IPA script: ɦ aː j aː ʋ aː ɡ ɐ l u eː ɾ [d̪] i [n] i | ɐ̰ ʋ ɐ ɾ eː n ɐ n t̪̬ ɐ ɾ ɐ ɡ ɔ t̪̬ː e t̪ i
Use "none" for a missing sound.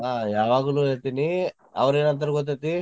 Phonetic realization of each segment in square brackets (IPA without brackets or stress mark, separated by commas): t̪, n